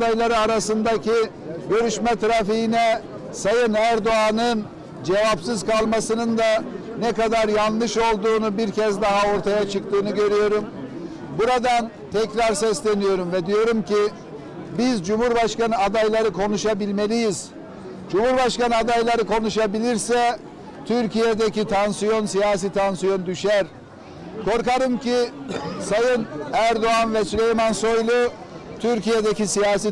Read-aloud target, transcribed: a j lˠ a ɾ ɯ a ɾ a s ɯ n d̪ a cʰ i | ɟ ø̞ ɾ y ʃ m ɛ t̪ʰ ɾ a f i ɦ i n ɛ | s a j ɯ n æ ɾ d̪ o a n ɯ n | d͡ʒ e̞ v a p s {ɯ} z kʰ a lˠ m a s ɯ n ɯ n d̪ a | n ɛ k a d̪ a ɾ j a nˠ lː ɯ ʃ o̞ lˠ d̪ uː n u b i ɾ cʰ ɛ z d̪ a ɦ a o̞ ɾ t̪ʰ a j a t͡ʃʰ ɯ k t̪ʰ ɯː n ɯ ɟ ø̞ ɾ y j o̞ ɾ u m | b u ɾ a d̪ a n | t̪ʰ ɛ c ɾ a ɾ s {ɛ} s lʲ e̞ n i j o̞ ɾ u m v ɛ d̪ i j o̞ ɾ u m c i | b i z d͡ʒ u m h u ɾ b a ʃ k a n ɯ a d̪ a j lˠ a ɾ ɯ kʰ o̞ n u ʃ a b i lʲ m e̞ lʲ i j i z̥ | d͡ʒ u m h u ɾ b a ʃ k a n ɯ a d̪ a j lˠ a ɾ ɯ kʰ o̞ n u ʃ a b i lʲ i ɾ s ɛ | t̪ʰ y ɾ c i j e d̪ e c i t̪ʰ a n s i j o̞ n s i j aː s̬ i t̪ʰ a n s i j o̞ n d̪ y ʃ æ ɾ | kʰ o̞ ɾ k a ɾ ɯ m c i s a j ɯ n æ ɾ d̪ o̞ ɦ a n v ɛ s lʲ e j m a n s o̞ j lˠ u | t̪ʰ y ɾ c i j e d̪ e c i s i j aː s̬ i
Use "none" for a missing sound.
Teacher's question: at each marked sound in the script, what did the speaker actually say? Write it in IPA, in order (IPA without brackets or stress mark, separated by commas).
ɯ, ɛ